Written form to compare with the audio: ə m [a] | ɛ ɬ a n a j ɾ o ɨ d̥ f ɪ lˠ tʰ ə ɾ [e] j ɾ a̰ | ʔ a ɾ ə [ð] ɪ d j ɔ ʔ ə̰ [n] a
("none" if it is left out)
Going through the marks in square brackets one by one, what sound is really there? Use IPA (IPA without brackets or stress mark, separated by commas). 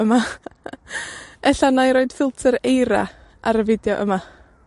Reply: a, e, v, m